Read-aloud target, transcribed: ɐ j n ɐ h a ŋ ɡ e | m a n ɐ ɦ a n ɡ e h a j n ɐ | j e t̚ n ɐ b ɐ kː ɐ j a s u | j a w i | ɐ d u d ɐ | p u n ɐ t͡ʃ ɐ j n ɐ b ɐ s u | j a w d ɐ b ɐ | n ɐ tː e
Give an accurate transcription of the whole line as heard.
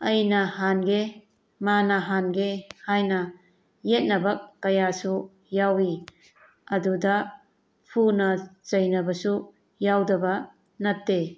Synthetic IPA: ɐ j n ɐ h a n ɡ e | m a n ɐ ɦ a n ɡ e h a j n ɐ | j e t̚ n ɐ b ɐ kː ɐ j a s u | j a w i | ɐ d u d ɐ | pʰ u n ɐ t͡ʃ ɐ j n ɐ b ɐ s u | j a w d ɐ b ɐ | n ɐ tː e

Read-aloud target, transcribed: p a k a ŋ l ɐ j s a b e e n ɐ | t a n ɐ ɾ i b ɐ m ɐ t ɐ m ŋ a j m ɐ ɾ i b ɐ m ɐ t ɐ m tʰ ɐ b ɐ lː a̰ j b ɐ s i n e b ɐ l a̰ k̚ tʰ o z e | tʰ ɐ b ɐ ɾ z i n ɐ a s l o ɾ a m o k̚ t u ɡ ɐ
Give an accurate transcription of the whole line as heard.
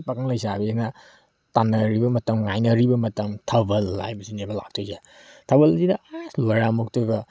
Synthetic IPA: p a k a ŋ l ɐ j s a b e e n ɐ | t a n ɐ ɾ i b ɐ m ɐ t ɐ m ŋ a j n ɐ ɾ i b ɐ m ɐ t ɐ m tʰ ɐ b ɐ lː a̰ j b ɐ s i n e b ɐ l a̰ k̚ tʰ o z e | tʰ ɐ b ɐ l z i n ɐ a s l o ɾ a m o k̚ t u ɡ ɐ

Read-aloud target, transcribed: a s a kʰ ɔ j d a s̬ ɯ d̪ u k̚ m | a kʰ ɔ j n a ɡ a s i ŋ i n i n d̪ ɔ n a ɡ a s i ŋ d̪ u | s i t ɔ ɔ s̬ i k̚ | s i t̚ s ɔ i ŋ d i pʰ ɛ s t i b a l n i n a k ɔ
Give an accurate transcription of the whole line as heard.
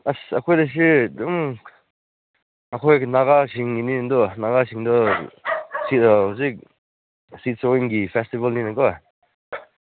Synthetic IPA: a s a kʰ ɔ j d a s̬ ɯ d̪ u m | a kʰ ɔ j n a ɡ a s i ŋ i n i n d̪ ɔ n a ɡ a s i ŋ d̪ ɔ | s i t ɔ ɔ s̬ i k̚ | s i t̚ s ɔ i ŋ ɡ i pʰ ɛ s t i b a l n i n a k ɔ

